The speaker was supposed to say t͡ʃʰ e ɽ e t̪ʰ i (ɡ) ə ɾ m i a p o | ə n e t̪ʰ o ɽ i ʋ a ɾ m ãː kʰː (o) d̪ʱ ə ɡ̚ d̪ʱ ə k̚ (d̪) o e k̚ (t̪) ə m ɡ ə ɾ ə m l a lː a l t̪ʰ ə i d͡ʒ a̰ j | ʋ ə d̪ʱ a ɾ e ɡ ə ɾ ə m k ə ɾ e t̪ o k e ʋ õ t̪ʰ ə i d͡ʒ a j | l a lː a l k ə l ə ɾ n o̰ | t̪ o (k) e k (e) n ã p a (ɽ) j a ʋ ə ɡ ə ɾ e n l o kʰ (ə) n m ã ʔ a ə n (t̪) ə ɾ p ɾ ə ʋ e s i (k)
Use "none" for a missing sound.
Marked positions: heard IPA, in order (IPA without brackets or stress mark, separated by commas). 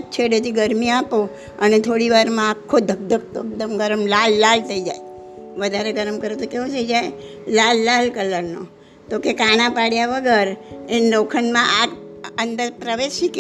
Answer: ɡ, o, t̪, d̪, k, a, ɽ, ə, d̪, k